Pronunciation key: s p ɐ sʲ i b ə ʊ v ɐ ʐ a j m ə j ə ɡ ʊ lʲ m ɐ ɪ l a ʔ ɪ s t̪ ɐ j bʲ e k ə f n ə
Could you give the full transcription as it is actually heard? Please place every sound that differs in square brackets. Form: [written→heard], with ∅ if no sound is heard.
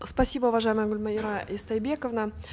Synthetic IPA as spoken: s p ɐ sʲ i b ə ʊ v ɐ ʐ a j m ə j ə ɡ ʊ lʲ m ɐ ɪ [l→ɾ] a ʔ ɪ s t̪ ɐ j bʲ e k ə [f→v] n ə